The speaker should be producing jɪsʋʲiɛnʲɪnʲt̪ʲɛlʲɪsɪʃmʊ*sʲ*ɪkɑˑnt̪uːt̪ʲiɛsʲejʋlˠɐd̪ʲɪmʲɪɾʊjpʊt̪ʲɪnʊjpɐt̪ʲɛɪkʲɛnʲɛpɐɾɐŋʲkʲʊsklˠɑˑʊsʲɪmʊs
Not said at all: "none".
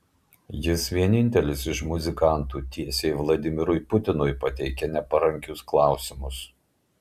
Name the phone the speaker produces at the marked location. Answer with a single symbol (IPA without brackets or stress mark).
zʲ